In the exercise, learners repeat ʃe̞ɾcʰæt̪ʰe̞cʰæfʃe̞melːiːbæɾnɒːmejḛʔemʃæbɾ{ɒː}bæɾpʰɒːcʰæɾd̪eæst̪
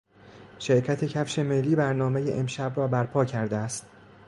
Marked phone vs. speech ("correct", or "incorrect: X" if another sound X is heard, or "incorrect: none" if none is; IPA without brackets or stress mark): correct